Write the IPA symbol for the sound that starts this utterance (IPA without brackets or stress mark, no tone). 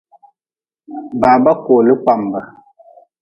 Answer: b